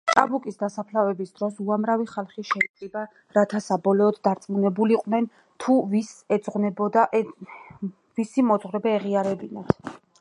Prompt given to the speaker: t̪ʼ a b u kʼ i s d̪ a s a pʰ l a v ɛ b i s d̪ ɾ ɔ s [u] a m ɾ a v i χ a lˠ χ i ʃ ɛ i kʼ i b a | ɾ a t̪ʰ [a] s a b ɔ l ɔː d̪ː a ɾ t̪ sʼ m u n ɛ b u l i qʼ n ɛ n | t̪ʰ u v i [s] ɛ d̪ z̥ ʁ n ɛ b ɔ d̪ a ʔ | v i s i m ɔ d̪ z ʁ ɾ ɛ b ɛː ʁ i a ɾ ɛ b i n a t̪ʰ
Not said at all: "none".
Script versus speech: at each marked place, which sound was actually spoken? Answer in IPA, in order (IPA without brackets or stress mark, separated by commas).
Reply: u, a, s